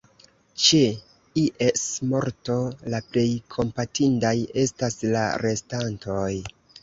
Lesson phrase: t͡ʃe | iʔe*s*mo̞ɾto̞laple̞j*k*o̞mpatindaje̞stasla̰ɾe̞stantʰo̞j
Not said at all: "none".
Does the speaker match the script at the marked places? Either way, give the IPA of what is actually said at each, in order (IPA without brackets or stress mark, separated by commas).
s, kʰ